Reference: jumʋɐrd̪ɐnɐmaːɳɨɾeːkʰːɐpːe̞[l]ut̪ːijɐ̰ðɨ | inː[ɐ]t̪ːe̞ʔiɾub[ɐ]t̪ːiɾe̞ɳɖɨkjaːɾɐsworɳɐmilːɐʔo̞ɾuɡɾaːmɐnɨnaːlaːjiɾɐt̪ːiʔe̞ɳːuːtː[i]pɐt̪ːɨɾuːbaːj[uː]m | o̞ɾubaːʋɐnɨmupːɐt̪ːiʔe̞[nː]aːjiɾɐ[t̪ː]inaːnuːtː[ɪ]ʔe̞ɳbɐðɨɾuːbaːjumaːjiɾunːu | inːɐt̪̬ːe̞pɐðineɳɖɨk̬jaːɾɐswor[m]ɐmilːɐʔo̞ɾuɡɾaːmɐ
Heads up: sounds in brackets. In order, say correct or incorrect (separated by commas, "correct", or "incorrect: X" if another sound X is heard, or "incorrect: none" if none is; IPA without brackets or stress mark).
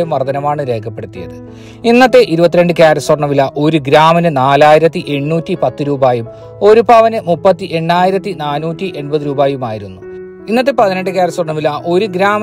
incorrect: ɽ, correct, correct, correct, incorrect: u, incorrect: ɳː, correct, incorrect: i, incorrect: ɳ